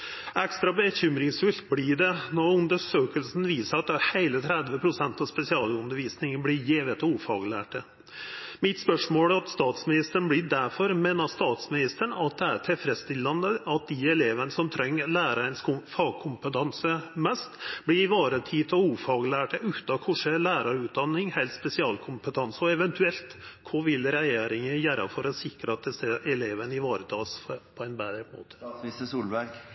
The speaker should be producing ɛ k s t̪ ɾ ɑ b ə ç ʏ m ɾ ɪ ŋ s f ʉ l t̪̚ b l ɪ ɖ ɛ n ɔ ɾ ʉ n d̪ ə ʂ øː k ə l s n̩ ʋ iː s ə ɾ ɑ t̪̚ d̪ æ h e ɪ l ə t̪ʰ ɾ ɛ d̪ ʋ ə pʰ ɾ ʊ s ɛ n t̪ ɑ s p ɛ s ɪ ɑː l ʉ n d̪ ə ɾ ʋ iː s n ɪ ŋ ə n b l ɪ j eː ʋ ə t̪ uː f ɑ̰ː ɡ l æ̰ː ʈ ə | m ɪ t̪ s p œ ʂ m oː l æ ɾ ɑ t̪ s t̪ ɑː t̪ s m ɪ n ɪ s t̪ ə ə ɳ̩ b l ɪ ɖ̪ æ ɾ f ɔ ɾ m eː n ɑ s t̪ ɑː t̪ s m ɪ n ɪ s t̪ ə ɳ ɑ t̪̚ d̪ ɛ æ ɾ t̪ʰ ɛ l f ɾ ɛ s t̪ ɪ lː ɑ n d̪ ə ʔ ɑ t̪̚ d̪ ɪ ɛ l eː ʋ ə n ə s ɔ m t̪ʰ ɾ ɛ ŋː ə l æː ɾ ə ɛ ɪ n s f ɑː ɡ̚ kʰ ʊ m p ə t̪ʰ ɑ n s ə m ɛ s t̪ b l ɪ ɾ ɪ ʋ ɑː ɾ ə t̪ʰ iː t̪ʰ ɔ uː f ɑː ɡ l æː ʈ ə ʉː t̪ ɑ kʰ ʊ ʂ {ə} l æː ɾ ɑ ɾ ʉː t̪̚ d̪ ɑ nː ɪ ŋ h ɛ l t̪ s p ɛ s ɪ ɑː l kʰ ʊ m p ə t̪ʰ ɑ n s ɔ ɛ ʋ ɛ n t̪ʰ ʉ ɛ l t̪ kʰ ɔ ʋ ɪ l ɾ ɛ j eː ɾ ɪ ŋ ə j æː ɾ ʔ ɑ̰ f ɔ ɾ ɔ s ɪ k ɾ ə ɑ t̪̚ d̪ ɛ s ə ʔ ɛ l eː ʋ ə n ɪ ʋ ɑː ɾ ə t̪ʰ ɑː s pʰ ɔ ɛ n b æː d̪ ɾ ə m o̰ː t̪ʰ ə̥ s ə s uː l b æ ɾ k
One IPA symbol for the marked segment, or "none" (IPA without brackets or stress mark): ə